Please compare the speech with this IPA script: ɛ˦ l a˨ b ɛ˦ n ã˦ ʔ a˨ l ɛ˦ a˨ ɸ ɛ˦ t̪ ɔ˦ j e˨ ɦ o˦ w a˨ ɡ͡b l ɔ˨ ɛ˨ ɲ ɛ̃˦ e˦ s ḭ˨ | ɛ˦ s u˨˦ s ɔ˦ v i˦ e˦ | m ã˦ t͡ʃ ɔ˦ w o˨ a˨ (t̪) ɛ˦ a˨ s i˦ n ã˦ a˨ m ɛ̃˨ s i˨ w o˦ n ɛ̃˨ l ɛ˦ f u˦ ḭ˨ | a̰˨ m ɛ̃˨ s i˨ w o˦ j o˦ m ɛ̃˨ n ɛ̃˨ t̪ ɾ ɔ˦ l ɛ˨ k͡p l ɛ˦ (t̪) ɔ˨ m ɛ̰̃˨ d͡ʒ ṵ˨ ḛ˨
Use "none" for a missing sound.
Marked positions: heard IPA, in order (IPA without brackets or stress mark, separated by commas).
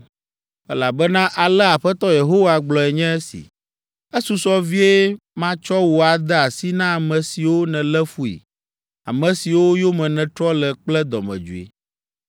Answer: d̪, d̪